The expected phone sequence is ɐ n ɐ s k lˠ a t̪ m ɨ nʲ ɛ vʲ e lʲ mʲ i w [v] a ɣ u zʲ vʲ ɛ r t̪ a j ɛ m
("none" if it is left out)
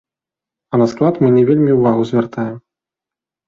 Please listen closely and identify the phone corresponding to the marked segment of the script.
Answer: v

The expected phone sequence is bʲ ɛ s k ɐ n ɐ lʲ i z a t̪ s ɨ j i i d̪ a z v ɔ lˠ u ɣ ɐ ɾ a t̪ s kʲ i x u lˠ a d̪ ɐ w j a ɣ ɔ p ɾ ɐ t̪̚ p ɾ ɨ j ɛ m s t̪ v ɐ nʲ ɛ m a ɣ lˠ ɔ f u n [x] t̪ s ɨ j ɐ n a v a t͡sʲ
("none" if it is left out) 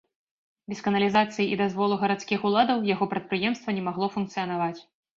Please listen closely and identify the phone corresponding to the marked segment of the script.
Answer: k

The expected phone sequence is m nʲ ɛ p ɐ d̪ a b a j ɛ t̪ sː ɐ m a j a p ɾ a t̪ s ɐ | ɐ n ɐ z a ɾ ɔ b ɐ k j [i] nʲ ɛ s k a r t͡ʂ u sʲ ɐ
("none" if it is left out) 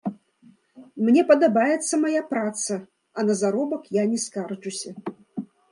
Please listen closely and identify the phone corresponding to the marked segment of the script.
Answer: a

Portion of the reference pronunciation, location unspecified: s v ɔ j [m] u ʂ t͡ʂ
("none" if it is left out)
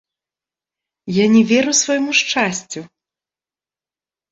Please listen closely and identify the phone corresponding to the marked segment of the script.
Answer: m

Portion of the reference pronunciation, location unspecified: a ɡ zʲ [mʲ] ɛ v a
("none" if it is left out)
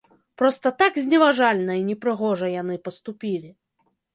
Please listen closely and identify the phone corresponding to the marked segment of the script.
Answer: nʲ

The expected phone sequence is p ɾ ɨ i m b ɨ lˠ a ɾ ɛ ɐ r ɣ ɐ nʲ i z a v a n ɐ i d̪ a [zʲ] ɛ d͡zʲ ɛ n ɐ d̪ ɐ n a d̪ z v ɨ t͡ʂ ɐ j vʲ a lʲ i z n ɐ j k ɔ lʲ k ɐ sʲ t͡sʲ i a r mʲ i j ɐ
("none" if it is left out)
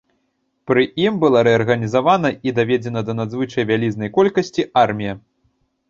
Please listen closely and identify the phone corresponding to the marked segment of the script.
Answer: vʲ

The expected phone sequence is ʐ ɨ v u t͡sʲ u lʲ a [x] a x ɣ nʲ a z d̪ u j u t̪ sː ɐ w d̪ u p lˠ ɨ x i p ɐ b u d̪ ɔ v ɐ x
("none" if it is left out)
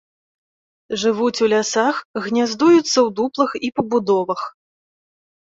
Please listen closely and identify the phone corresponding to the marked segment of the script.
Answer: s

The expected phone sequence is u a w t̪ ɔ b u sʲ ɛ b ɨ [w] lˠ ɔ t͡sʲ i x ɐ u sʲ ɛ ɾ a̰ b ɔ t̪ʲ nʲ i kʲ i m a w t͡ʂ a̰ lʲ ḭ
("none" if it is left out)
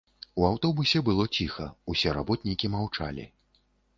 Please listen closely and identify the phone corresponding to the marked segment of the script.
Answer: none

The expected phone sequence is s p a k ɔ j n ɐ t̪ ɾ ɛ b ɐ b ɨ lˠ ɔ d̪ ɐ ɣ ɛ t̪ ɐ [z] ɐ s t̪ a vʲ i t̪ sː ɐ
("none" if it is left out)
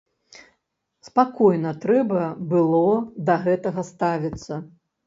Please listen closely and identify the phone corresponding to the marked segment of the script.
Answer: ɣ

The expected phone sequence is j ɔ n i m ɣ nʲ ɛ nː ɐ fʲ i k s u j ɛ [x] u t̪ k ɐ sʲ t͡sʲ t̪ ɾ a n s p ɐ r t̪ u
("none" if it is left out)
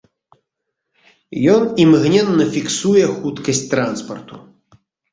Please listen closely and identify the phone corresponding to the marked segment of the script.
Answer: x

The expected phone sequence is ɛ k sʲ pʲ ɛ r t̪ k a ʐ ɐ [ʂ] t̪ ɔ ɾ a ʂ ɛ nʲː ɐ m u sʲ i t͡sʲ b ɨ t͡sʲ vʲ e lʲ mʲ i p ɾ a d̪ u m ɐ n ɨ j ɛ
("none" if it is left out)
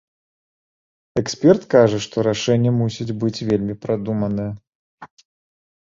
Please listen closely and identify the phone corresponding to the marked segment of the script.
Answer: ʂ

